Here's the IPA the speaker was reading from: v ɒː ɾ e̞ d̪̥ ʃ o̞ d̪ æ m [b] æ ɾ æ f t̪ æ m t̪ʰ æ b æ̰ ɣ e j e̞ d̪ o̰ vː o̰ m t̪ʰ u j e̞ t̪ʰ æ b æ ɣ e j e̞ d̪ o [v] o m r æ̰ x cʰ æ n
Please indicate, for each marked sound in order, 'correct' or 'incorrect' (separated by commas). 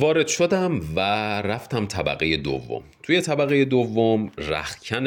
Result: incorrect, incorrect